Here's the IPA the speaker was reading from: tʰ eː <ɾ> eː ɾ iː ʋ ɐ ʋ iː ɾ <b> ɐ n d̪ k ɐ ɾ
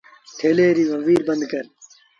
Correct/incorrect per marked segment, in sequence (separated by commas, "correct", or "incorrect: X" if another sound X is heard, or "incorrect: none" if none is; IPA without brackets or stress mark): incorrect: l, correct